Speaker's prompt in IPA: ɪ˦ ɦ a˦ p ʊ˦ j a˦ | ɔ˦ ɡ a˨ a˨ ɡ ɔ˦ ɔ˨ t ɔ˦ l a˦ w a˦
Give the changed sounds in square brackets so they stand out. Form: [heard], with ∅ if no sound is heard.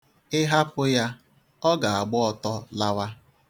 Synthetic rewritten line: ɪ˦ ɦ a˦ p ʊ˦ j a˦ | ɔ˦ ɡ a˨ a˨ [ɡ͡b] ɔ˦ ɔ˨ t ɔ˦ l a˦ w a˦